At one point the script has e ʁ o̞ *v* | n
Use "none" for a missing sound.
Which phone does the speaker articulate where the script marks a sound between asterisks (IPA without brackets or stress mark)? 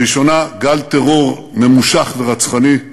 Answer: ʁ